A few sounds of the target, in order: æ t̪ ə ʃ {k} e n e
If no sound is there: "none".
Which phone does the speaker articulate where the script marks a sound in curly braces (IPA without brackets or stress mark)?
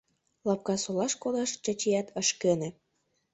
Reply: k